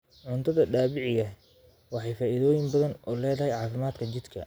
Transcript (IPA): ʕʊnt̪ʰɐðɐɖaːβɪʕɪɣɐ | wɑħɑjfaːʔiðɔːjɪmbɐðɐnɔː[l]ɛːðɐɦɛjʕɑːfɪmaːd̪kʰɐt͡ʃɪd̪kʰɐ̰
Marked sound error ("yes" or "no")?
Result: no